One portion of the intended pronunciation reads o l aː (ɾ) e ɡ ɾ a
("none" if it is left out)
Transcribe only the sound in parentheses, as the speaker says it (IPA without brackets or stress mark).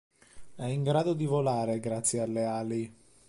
ɾ